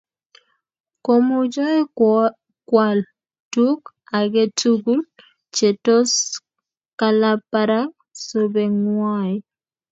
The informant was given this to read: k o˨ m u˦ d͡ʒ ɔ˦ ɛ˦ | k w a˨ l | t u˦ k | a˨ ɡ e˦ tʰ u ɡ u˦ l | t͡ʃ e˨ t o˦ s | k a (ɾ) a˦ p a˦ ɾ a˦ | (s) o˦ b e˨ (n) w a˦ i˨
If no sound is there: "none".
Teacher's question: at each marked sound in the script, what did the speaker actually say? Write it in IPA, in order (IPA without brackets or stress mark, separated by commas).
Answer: l, s, ŋ